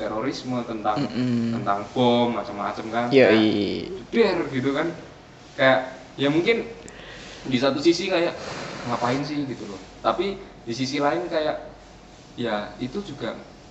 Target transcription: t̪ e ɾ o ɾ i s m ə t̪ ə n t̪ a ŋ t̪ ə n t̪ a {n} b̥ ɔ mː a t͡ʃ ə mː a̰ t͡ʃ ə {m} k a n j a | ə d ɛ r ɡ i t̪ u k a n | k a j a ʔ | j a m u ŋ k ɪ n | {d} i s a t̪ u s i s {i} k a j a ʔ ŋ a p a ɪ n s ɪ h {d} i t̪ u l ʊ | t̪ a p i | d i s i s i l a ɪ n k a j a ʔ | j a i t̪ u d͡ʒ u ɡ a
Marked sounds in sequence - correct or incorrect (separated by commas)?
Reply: incorrect, correct, correct, correct, incorrect